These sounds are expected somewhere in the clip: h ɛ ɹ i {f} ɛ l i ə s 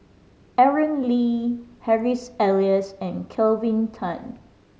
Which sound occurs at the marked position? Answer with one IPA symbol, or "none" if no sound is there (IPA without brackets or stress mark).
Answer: s